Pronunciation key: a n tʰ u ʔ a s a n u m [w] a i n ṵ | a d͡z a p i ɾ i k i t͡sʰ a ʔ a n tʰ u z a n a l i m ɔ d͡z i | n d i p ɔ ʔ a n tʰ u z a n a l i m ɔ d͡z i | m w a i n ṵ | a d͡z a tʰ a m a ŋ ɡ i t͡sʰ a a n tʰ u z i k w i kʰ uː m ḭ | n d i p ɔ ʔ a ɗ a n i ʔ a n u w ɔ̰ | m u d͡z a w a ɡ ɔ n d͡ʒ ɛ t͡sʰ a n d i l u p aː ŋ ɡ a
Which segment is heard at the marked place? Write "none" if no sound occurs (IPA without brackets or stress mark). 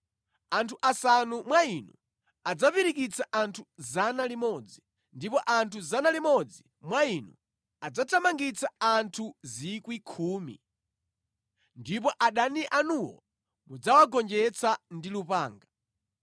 w